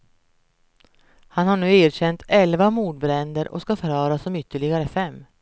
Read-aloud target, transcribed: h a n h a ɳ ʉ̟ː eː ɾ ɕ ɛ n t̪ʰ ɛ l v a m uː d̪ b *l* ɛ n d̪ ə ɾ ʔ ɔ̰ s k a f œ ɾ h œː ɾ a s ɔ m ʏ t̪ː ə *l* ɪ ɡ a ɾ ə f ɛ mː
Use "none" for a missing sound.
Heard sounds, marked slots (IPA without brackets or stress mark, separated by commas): ɾ, ɭ